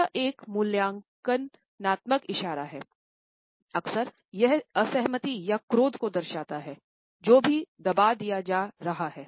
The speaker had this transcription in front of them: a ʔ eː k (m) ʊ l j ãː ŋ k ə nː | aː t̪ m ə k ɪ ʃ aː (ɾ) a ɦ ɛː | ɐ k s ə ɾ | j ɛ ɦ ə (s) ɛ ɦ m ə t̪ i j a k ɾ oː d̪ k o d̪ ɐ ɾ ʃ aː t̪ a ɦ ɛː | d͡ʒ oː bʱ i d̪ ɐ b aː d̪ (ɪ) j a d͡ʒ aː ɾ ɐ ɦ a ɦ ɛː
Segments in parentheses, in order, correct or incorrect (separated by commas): correct, correct, correct, incorrect